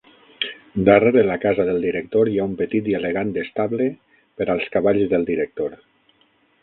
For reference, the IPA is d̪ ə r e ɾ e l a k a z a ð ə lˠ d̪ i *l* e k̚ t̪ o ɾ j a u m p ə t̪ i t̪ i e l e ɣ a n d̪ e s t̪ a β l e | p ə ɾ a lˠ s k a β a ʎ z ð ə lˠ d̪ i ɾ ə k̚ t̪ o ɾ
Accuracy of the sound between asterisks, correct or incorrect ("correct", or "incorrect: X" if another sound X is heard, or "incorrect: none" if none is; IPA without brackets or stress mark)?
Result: incorrect: ɾ